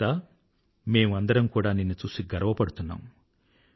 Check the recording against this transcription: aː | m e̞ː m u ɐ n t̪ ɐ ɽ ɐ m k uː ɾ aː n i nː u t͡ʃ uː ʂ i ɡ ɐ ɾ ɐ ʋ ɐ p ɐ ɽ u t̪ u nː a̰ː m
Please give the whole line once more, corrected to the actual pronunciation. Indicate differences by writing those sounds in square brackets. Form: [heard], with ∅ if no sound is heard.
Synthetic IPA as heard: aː | m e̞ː m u ɐ n [d̪] ɐ [ɾ] ɐ m k uː [ɽ] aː n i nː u t͡ʃ uː [s] i ɡ ɐ ɾ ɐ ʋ ɐ p ɐ ɽ u t̪ u nː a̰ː m